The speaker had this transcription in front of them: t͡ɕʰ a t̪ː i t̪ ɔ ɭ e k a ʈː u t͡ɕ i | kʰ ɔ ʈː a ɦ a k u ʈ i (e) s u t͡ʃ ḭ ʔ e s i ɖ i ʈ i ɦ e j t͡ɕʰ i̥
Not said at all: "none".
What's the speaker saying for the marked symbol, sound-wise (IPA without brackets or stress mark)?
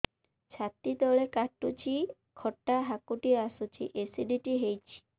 a